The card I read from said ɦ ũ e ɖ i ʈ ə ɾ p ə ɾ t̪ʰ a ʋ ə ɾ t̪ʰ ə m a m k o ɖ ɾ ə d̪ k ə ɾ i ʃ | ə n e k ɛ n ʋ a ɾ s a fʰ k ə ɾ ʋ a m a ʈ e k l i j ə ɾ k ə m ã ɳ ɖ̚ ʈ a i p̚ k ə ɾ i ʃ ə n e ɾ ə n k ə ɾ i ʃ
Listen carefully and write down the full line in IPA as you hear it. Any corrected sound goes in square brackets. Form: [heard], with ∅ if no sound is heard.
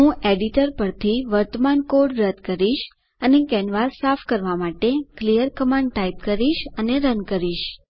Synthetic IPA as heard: ɦ ũ e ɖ i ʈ ə ɾ p ə ɾ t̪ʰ [i] ʋ ə ɾ [t̪] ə m a [n] k o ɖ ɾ ə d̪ k ə ɾ i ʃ | ə n e k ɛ n ʋ a ɾ s a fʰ k ə ɾ ʋ a m a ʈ e k l i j ə ɾ k ə m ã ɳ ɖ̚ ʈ a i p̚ k ə ɾ i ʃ ə n e ɾ ə n k ə ɾ i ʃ

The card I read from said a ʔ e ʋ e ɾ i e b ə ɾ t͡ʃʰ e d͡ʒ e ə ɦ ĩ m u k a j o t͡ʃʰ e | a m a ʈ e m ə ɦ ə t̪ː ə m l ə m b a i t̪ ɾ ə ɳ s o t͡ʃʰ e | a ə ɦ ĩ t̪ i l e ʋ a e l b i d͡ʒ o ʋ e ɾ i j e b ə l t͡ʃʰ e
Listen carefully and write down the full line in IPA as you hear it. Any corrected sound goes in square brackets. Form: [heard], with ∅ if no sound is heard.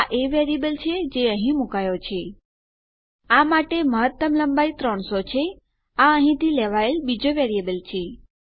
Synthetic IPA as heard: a ʔ e ʋ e ɾ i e b ə [l] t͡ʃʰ e d͡ʒ e ə ɦ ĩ m u k a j o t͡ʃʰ e | a m a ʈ e m ə ɦ ə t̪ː ə m l ə m b a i t̪ ɾ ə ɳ s o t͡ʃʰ e | a ə ɦ ĩ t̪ i l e ʋ a e l b i d͡ʒ o ʋ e ɾ i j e b ə l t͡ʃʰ e

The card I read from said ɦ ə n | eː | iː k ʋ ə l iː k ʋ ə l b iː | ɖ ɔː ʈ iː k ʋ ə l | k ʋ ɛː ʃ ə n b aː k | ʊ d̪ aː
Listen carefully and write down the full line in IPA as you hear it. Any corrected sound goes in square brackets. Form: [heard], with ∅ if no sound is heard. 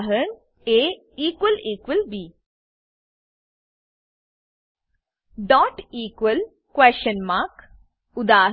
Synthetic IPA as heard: ɦ ə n | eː | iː k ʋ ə l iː k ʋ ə l b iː | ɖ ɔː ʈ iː k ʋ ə l | k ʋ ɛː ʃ ə n [m] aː k | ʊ d̪ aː

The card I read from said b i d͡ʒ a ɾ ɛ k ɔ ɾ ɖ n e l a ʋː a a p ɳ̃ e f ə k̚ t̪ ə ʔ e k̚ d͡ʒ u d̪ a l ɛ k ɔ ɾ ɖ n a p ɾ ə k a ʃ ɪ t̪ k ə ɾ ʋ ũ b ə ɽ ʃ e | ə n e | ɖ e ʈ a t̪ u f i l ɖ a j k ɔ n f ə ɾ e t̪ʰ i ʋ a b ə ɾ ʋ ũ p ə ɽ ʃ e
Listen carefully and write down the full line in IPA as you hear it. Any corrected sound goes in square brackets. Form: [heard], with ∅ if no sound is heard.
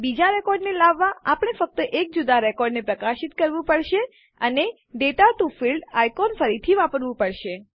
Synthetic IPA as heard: b i d͡ʒ a ɾ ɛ k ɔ ɾ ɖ n e l a ʋː a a p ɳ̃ e f ə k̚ t̪ ə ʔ e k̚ d͡ʒ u d̪ a [ɾ] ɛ k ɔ ɾ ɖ n [e] p ɾ ə k a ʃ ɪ t̪ k ə ɾ ʋ ũ [p] ə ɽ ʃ e | ə n e | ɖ e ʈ a t̪ u f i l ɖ a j k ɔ n f ə ɾ [i] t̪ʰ i ʋ a [p] ə ɾ ʋ ũ p ə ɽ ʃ e

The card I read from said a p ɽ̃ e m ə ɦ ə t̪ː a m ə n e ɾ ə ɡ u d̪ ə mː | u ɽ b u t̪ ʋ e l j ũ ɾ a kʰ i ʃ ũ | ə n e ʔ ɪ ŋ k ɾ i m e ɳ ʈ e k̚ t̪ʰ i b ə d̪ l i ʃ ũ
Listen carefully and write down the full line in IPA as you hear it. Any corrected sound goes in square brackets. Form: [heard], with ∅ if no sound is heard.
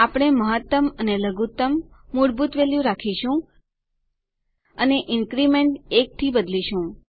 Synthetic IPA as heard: a p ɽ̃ e m ə ɦ ə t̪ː [ə] m ə n e [l] ə ɡ u [t̪] ə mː | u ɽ b u t̪ ʋ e l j ũ ɾ a kʰ i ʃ ũ | ə n e ʔ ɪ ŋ k ɾ i m e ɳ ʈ e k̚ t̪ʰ i b ə d̪ l i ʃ ũ

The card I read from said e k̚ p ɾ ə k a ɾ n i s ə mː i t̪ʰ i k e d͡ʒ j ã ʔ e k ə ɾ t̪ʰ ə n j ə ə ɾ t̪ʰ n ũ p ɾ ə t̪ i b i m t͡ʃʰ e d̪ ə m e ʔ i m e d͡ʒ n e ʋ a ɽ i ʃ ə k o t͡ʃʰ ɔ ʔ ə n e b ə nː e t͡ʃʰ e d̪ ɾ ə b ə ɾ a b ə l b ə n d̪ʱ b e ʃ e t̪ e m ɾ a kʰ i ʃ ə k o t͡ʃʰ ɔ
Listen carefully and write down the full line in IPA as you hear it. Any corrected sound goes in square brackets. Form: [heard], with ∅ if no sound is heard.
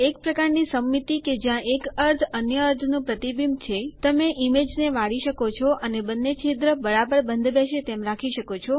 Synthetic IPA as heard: e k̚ p ɾ ə k a ɾ n i s ə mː i [t̪] i k e d͡ʒ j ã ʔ e k ə ɾ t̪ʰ ə n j ə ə ɾ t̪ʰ n ũ p ɾ ə t̪ i b i m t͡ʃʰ e [t̪] ə m e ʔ i m e d͡ʒ n e ʋ a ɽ i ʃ ə k o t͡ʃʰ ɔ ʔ ə n e b ə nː e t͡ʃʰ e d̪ ɾ ə b ə ɾ a b ə [ɾ] b ə n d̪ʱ b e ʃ e t̪ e m ɾ a kʰ i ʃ ə k o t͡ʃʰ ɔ

